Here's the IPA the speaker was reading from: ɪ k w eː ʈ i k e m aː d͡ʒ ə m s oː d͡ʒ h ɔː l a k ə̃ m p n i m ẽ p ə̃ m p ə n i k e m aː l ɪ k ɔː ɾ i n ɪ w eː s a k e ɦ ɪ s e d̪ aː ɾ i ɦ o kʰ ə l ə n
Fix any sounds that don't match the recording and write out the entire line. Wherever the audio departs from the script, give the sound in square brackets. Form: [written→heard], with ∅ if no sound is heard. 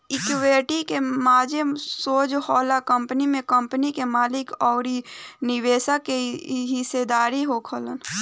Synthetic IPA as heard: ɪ k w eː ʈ i k e m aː d͡ʒ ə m s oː d͡ʒ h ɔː l a k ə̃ m p n i m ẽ [p→k] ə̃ m p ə n i k e m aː l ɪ k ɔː ɾ i n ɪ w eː s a k e ɦ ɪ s e d̪ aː ɾ i ɦ o kʰ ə l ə n